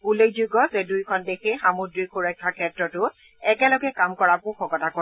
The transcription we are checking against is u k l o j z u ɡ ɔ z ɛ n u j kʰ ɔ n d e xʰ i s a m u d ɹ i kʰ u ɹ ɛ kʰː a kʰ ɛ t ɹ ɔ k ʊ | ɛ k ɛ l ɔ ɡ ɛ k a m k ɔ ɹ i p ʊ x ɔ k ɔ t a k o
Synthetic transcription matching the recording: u l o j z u ɡ ɔ z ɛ d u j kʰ ɔ n d e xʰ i x a m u d ɹ i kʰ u ɹ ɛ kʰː a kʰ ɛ t ɹ ɔ t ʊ | ɛ k ɛ l ɔ ɡ ɛ k a m k ɔ ɹ a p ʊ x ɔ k ɔ t a k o